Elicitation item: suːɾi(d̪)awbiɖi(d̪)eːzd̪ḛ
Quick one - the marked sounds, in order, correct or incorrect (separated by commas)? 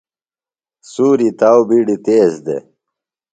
incorrect, incorrect